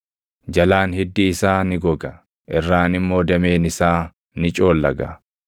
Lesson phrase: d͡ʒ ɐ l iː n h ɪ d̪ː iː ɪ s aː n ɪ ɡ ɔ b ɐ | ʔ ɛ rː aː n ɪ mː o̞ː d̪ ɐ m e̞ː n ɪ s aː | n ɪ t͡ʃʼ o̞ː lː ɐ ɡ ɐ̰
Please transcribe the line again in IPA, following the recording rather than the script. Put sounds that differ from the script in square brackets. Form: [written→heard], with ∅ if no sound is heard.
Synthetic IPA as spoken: d͡ʒ ɐ l [iː→aː] n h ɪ d̪ː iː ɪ s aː n ɪ ɡ ɔ [b→ɡ] ɐ | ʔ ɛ rː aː n ɪ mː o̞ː d̪ ɐ m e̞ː n ɪ s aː | n ɪ t͡ʃʼ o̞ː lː ɐ ɡ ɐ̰